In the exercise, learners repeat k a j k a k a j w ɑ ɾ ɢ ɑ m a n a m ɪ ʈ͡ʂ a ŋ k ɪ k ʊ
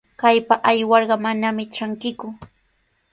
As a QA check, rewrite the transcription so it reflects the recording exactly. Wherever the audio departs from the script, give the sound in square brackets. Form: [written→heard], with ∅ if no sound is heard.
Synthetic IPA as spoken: k a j [k→p] a [k→ʔ] a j w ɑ ɾ ɢ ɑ m a n a m ɪ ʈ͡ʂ a ŋ k ɪ k ʊ